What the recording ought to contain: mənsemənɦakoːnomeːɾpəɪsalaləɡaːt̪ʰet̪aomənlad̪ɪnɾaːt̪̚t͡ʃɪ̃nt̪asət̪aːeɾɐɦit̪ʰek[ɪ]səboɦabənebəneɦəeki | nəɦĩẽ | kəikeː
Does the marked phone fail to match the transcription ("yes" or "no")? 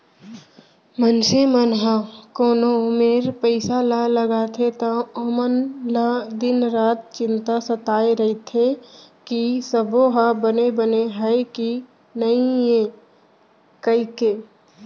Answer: yes